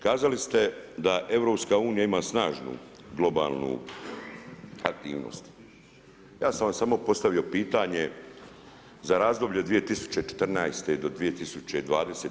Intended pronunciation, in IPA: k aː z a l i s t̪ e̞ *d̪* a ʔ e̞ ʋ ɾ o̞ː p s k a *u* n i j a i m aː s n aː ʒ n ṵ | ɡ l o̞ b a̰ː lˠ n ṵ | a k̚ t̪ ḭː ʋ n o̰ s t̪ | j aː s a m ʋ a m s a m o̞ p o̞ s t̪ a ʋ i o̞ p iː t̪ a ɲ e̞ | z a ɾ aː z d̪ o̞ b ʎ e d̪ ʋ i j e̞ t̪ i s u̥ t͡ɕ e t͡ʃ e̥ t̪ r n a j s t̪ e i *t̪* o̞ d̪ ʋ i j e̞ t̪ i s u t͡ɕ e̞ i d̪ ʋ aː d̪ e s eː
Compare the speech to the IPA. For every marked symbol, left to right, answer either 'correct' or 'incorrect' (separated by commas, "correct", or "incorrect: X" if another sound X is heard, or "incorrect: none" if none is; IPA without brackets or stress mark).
correct, incorrect: uː, incorrect: d̪